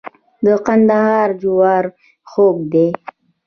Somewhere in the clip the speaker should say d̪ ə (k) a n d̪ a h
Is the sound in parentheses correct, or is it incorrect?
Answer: incorrect: q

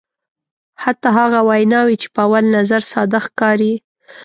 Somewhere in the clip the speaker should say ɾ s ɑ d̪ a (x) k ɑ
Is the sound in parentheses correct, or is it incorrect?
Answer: correct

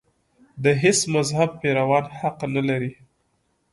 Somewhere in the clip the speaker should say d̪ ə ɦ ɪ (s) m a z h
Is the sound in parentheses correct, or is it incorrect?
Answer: correct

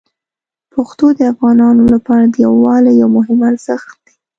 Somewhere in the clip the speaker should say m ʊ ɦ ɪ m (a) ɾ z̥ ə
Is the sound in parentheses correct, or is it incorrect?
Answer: correct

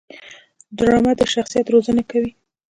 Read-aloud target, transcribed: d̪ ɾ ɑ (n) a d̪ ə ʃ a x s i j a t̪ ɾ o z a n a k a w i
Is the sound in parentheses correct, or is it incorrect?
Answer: incorrect: m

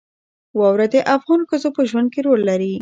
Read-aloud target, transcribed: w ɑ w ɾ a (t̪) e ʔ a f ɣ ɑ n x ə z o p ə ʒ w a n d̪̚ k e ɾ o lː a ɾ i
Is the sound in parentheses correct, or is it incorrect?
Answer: incorrect: d̪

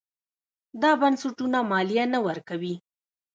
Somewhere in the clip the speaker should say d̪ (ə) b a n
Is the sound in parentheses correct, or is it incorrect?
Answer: incorrect: ɑ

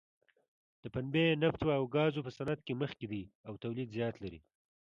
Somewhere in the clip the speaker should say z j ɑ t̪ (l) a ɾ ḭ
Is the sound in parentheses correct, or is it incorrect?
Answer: correct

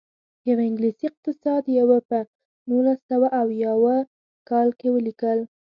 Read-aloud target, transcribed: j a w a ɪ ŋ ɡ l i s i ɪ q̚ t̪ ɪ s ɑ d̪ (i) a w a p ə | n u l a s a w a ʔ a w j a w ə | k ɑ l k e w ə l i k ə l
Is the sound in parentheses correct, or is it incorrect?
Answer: incorrect: j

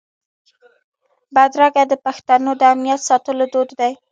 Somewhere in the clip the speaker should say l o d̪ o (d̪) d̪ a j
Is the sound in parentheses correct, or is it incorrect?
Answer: correct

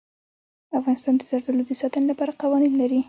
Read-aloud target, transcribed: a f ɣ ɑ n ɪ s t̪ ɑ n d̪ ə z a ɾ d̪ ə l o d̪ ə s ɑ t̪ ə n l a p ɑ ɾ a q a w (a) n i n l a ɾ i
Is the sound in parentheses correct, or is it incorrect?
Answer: incorrect: ɑ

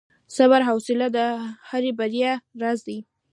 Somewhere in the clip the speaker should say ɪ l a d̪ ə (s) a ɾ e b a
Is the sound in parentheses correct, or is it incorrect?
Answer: incorrect: h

